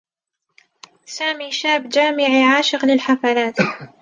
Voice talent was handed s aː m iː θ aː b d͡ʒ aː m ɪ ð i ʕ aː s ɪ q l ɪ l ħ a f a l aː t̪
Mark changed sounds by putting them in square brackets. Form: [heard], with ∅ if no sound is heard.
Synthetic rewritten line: s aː m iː [ʃ] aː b d͡ʒ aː m ɪ [ʕ] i ʕ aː [ʃ] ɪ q l ɪ l ħ a f a l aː t̪